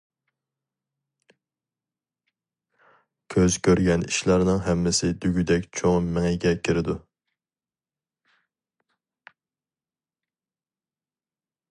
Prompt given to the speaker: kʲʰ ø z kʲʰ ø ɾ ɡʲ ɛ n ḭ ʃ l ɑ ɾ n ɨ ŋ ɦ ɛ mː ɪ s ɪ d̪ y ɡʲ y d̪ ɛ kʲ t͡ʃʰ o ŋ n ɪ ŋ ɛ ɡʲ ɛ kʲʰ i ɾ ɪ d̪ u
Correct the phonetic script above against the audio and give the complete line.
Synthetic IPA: kʲʰ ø z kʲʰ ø ɾ ɡʲ ɛ n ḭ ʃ l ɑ ɾ n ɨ ŋ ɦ ɛ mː ɪ s ɪ d̪ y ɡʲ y d̪ ɛ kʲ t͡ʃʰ o ŋ m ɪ ŋ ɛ ɡʲ ɛ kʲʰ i ɾ ɪ d̪ u